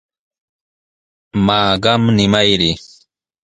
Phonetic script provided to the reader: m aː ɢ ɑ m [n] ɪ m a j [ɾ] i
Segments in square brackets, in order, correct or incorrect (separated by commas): correct, correct